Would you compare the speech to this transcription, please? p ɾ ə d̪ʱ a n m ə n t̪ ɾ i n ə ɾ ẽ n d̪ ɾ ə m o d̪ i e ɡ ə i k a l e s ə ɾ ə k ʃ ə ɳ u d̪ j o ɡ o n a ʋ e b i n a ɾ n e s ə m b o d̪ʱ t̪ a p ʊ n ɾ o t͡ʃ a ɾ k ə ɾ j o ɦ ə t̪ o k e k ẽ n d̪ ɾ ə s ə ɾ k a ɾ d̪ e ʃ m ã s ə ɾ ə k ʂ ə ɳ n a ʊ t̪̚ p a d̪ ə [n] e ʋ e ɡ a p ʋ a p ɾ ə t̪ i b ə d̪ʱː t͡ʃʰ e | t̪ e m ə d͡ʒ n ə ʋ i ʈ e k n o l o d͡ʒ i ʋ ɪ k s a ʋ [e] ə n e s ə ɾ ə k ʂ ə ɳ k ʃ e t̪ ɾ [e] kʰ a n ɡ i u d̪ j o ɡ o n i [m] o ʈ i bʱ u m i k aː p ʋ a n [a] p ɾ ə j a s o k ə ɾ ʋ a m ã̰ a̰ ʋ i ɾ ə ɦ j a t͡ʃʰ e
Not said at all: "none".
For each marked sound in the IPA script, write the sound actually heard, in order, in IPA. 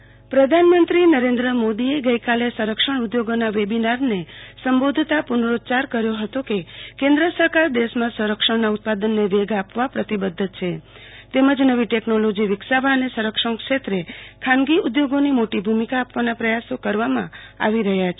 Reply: nː, a, e, m, a

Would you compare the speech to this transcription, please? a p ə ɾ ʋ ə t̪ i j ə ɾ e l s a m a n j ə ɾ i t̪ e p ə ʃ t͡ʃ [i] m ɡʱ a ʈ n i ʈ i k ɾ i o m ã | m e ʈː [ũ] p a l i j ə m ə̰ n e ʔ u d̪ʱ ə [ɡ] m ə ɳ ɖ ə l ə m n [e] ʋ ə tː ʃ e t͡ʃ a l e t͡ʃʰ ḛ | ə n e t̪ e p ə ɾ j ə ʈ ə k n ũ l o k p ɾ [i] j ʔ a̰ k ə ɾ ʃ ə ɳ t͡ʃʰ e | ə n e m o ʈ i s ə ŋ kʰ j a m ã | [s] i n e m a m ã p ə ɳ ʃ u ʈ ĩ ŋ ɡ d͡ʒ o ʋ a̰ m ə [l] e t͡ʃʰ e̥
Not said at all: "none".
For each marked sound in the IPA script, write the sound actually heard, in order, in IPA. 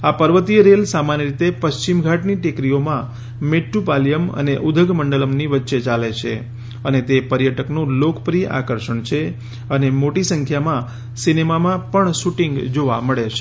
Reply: i, u, ɡ, i, i, s, ɭ

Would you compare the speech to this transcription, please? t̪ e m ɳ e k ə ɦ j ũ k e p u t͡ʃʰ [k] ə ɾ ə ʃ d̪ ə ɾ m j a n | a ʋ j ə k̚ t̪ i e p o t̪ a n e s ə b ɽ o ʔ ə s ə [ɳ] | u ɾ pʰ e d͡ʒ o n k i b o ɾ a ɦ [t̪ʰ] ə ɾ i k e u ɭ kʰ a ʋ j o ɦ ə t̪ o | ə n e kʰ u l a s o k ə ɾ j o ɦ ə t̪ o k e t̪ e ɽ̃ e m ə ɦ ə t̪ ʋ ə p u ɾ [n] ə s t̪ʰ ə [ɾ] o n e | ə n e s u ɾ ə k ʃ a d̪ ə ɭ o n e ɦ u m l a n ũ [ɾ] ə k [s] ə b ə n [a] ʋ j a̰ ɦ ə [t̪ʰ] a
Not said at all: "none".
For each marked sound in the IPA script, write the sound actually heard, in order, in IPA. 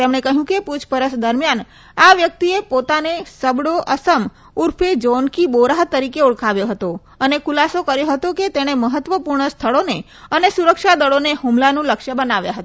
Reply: p, m, t̪, ɳ, ɭ, l, ʃ, a, t̪

